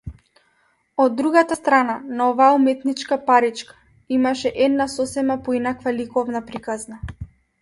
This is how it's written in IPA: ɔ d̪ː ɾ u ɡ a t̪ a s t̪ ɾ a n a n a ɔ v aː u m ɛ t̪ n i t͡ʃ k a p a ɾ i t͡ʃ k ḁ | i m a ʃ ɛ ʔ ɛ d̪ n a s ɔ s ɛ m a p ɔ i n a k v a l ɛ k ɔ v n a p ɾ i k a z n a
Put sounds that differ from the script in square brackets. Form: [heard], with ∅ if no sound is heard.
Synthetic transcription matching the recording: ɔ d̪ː ɾ u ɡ a t̪ a s t̪ ɾ a n a n a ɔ v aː u m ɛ t̪ n i t͡ʃ k a p a ɾ i t͡ʃ k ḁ | i m a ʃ ɛ ʔ ɛ d̪ n a s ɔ s ɛ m a p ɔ i n a k v a l [i] k ɔ v n a p ɾ i k a z n a